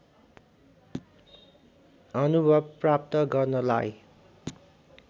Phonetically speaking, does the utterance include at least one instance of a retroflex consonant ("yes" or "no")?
no